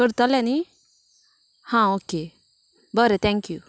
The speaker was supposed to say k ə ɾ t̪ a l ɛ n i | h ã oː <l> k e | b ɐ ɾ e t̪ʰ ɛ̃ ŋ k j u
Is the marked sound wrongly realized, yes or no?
yes